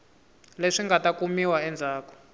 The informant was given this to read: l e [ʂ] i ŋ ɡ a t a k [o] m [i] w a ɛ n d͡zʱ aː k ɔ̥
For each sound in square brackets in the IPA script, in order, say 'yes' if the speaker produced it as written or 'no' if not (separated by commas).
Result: yes, no, yes